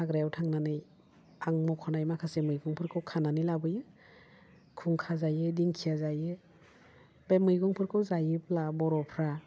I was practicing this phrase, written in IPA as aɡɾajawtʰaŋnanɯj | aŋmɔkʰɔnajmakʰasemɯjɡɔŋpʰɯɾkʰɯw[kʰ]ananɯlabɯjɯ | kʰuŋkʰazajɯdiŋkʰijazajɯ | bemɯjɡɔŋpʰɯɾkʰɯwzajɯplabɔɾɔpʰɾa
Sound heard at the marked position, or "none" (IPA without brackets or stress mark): kʰ